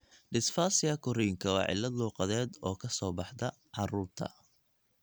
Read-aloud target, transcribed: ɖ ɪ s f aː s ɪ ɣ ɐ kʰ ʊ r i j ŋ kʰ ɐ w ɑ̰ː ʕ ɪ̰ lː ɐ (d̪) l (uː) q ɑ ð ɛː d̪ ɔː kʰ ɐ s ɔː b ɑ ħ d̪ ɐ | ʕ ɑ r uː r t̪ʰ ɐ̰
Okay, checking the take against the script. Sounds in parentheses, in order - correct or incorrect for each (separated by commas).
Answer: correct, correct